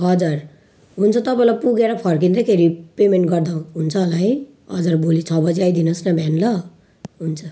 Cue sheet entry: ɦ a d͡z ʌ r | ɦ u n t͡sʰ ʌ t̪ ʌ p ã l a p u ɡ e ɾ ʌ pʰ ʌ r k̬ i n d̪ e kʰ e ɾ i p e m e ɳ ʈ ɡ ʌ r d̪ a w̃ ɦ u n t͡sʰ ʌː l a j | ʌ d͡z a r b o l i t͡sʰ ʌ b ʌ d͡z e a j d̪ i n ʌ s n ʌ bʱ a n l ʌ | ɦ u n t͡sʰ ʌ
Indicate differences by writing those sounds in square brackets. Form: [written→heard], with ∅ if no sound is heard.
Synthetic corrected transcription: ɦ [a→ʌ] d͡z ʌ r | ɦ u n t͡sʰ ʌ t̪ ʌ p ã l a p u ɡ e ɾ ʌ pʰ ʌ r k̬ i n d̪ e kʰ e ɾ i p e m e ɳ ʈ ɡ ʌ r d̪ a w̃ ɦ u n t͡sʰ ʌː l a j | ʌ d͡z [a→ʌ] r b o l i t͡sʰ ʌ b ʌ d͡z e a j d̪ i n ʌ s n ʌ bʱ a n l ʌ | ɦ u n t͡sʰ ʌ